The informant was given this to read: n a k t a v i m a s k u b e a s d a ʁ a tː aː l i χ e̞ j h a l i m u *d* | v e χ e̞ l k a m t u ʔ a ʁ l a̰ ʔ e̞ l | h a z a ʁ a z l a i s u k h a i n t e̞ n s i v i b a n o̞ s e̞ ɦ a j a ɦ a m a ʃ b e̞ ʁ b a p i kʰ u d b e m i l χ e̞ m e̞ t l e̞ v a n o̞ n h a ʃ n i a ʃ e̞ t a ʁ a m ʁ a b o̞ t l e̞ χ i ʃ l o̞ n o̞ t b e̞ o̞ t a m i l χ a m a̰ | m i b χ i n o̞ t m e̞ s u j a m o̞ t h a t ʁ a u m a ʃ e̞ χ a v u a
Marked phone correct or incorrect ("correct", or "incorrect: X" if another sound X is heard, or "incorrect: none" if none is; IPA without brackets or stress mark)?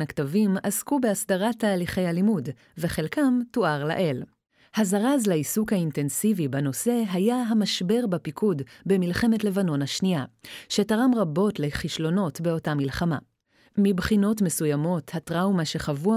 correct